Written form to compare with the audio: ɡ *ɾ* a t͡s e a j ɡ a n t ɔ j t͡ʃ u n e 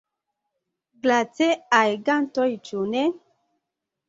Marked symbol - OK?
no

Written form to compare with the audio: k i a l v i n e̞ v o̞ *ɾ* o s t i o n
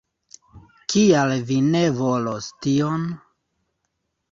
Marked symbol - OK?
no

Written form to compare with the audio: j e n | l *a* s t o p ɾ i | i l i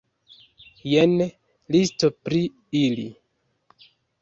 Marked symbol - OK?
no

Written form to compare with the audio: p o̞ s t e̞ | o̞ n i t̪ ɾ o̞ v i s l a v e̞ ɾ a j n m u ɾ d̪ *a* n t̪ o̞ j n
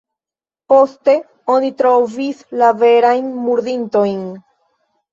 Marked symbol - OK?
no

